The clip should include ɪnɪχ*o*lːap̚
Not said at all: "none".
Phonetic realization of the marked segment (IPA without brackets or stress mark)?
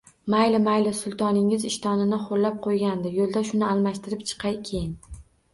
o